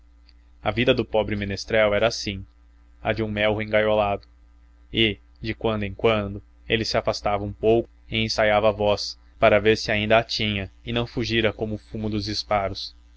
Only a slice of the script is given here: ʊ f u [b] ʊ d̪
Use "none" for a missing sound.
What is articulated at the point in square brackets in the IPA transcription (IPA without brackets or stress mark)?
m